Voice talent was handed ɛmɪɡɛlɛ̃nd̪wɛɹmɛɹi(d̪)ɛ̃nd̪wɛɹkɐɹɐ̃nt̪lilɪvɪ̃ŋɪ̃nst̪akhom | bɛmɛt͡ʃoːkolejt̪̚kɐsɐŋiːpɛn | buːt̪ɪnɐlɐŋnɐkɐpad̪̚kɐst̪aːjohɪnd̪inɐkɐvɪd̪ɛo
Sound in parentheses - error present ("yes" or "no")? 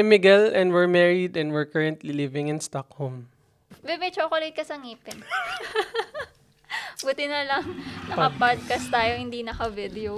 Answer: no